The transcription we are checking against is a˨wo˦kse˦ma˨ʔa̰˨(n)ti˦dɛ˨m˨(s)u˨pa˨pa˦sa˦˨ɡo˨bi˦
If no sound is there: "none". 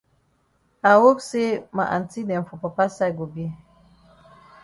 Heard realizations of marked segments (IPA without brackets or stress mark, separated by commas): n, f